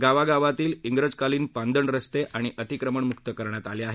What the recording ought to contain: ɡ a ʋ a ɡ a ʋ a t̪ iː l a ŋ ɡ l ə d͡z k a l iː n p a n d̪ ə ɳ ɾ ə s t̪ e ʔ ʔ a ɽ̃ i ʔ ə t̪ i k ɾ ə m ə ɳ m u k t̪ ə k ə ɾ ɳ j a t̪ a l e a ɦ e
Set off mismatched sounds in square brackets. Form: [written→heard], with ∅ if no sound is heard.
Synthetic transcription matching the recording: ɡ a ʋ a ɡ a ʋ a t̪ iː l [a→i] ŋ ɡ [l→ɾ] ə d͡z k a l iː n p a n d̪ ə ɳ ɾ ə s t̪ e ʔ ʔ a ɽ̃ i ʔ ə t̪ i k ɾ ə m ə ɳ m u k t̪ ə k ə ɾ ɳ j a t̪ a l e a ɦ e